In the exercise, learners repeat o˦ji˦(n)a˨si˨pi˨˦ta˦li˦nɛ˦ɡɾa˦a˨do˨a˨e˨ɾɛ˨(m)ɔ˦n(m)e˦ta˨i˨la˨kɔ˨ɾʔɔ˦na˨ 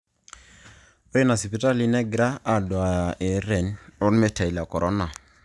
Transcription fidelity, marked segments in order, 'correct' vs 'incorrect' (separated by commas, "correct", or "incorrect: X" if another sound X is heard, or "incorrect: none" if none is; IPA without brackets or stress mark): correct, incorrect: n, correct